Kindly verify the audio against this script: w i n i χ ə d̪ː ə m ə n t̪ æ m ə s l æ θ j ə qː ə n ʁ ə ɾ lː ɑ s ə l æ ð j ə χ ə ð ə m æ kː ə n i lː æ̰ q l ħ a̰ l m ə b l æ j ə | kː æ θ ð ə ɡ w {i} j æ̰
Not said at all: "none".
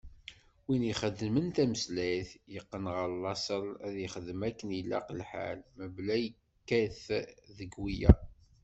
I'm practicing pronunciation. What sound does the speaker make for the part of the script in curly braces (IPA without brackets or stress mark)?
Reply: i